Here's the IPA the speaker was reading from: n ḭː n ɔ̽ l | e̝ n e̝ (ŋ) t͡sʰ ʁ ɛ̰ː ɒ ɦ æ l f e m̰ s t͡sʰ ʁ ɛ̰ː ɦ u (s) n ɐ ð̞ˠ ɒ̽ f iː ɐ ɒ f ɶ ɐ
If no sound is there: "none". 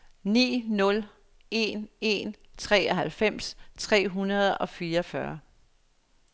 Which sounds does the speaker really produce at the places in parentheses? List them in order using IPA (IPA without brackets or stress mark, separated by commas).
n, none